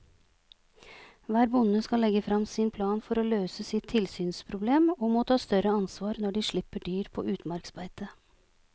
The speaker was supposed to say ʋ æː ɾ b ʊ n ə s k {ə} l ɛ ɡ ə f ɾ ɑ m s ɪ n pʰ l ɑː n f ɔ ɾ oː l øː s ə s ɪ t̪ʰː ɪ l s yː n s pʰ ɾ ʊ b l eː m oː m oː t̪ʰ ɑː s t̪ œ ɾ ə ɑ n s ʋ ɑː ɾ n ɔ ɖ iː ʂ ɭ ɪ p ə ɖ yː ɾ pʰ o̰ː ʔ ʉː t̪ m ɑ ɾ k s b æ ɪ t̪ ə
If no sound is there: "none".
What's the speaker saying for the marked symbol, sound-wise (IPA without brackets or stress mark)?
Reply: ɑ